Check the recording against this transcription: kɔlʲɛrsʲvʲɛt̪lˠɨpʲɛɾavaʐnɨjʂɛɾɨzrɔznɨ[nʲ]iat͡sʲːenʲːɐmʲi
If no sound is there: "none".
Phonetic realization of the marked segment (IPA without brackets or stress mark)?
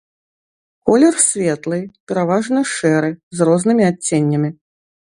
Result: mʲ